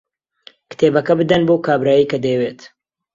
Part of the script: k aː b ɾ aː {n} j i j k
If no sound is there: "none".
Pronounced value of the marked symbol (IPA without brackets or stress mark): none